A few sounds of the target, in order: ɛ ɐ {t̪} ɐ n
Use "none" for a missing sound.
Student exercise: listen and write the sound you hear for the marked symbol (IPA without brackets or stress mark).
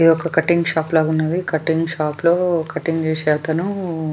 t̪